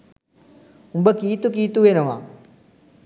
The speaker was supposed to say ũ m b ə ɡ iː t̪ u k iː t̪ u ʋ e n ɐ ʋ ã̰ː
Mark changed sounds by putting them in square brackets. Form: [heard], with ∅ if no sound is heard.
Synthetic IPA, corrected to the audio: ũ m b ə [k] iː t̪ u k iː t̪ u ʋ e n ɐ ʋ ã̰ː